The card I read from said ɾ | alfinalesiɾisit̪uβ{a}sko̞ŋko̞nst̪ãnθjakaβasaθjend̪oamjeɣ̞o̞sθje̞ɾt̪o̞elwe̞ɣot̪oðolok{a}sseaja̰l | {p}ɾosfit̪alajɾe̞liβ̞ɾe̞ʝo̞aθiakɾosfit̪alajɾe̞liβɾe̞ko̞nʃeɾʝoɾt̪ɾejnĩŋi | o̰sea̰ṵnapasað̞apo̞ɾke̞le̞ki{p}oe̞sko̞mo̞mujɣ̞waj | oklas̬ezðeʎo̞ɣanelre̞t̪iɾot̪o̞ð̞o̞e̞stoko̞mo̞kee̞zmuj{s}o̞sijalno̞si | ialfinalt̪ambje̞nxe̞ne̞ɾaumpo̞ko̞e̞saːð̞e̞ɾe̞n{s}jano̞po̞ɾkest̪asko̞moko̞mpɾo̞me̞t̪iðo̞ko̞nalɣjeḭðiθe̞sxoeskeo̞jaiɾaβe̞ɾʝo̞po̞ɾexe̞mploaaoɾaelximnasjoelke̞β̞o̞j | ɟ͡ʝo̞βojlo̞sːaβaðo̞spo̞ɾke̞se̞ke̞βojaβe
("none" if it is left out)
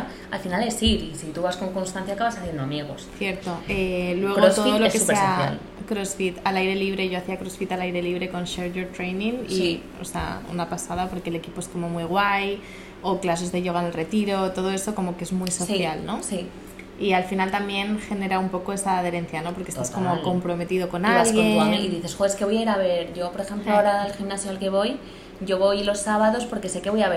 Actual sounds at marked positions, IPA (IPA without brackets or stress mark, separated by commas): a, e, k, p, s, θ